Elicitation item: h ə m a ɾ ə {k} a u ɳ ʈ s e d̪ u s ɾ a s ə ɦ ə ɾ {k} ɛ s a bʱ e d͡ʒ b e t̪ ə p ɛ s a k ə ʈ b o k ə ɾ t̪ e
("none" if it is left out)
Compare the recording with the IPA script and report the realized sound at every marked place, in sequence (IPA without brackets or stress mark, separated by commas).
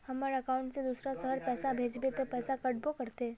k, p